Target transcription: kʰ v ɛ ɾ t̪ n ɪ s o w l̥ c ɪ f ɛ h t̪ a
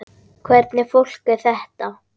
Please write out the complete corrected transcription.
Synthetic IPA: kʰ v ɛ ɾ t̪ n ɪ f o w l̥ k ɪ θ ɛ h t̪ a